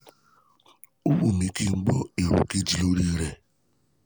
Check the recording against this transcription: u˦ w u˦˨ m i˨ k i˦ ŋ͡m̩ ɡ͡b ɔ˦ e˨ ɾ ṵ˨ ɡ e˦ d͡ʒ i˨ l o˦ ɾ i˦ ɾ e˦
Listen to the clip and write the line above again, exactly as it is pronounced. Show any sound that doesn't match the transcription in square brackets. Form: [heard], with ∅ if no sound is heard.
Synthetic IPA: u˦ w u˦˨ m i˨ k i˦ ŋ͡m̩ ɡ͡b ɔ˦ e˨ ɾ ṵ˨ [k] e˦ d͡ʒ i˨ l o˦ ɾ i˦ ɾ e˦